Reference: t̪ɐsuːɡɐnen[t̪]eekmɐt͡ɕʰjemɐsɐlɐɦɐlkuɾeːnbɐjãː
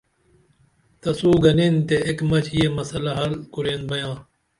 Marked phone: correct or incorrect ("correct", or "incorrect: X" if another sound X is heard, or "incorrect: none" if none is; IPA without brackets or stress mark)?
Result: correct